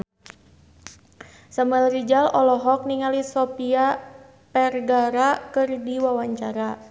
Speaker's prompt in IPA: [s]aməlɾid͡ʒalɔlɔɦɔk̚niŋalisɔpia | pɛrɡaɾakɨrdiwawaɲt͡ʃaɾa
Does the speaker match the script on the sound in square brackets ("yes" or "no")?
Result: yes